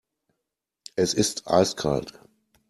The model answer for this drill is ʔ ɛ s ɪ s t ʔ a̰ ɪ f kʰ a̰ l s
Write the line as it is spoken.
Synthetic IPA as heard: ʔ ɛ s ɪ s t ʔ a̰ ɪ s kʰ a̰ l t